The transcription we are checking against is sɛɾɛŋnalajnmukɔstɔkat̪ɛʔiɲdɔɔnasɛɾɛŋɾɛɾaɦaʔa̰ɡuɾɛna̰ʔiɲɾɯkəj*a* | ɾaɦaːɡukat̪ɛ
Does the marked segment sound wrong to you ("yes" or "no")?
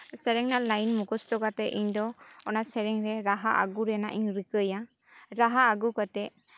no